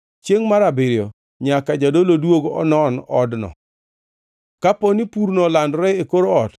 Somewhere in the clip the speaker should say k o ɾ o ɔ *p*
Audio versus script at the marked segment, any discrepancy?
yes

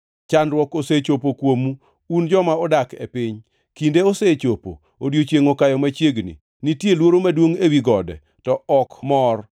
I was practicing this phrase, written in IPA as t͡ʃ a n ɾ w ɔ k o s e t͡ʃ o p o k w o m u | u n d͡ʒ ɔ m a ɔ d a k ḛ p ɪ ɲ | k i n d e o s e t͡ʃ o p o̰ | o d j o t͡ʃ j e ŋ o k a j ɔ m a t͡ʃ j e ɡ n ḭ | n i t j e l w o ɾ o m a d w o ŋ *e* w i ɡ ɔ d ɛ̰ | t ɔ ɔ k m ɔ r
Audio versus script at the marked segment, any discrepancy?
no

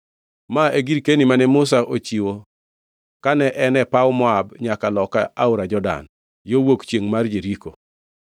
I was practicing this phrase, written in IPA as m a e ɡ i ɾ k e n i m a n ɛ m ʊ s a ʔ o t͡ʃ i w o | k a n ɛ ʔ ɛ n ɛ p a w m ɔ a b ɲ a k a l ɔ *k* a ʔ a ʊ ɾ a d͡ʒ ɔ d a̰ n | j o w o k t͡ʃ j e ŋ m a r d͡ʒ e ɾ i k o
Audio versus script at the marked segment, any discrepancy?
no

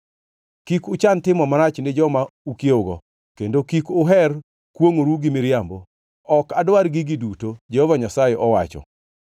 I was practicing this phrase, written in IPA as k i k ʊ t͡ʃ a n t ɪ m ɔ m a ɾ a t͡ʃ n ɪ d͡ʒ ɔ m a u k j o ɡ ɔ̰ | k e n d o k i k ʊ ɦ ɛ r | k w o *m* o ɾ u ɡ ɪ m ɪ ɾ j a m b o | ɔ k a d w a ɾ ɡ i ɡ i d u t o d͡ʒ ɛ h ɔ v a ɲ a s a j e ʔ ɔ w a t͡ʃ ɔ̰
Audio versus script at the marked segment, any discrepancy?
yes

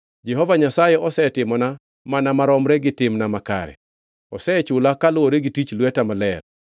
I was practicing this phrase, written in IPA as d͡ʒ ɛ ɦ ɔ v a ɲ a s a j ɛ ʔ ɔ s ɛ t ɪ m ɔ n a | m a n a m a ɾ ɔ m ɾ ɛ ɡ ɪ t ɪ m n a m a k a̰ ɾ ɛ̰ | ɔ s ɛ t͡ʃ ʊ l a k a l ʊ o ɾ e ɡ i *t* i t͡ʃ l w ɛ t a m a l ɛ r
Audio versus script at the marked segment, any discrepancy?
no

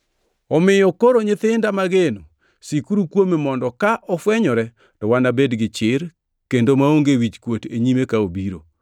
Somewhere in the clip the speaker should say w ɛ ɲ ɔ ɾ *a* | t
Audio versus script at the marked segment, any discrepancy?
yes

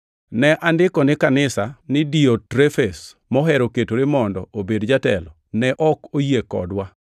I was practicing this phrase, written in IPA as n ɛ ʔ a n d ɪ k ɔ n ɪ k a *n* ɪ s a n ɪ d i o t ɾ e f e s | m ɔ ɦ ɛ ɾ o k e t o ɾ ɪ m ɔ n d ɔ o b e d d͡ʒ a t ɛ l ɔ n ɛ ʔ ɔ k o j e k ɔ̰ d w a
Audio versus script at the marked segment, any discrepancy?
no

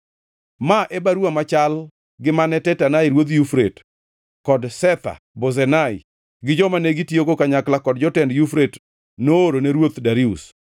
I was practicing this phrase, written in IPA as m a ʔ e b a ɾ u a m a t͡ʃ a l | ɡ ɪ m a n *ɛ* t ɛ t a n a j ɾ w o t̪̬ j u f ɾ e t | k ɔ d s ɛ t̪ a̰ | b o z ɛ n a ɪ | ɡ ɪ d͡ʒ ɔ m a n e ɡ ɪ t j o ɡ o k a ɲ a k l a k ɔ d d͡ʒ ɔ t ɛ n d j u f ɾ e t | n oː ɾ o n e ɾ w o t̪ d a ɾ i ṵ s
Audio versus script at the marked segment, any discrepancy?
no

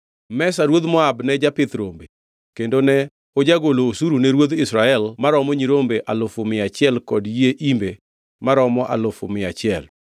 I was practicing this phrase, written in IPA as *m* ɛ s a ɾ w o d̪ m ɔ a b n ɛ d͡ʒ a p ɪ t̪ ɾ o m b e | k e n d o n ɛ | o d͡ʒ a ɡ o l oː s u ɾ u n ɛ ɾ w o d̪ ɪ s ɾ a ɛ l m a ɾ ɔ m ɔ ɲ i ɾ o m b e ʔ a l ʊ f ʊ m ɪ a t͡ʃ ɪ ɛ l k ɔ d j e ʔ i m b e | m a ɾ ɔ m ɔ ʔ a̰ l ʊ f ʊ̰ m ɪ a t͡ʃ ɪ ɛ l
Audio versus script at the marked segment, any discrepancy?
no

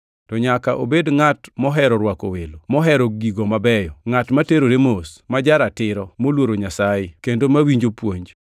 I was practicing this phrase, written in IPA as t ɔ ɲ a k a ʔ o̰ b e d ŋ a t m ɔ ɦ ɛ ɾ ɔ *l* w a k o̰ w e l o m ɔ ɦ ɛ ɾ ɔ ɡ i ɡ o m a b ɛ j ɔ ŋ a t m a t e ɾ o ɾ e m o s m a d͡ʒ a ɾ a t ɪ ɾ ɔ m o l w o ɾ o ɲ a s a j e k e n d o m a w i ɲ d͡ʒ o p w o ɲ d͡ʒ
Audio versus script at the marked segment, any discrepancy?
yes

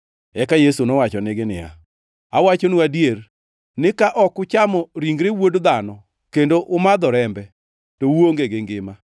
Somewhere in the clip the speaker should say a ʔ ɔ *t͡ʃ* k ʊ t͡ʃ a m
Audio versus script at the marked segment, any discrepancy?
yes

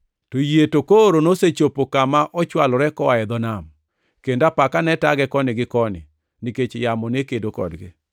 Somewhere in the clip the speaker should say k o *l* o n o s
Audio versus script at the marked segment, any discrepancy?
yes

